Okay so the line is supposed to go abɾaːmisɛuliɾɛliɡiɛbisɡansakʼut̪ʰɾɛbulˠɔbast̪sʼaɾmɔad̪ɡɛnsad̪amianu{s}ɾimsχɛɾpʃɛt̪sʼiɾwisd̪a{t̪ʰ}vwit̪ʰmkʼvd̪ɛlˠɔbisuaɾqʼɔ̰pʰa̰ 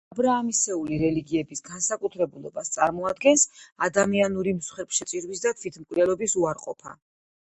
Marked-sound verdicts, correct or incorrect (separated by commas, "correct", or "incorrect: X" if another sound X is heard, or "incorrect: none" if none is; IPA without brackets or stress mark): incorrect: none, correct